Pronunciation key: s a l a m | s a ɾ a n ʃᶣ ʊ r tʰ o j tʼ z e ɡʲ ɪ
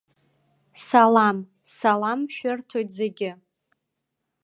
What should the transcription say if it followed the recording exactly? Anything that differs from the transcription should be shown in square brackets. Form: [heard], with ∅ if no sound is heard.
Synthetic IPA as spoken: s a l a m | s a [l] a [m] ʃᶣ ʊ r tʰ o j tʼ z e ɡʲ ɪ